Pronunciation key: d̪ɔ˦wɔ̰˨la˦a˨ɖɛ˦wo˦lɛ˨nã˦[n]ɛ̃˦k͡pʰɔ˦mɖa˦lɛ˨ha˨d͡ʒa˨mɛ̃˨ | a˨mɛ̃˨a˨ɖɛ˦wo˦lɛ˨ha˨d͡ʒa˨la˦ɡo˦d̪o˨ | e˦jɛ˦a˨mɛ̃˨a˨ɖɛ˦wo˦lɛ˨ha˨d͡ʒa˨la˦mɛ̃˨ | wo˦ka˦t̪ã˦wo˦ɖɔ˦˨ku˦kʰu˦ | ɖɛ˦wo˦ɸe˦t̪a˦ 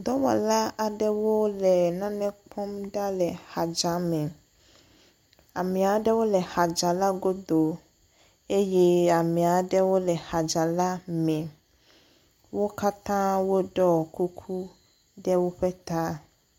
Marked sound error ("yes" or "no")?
no